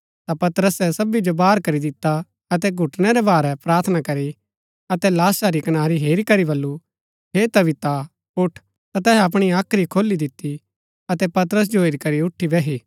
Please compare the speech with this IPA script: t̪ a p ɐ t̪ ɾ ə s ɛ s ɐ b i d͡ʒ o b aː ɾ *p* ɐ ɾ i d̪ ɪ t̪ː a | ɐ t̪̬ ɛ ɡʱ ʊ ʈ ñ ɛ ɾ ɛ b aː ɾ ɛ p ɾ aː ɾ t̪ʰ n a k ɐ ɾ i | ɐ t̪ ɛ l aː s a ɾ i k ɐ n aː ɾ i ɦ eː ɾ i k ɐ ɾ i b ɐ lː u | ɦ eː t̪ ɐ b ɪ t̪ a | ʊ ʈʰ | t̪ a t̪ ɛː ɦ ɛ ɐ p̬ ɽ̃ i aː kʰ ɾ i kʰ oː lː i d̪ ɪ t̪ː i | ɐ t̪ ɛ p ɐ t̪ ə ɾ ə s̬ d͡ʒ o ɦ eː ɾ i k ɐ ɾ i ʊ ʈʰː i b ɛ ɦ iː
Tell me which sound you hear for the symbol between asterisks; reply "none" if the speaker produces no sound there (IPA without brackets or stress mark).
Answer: k